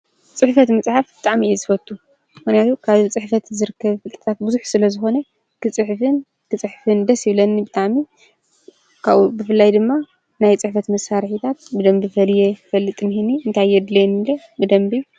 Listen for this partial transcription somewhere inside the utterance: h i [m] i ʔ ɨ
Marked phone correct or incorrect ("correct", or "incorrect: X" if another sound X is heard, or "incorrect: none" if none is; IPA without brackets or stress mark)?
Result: incorrect: n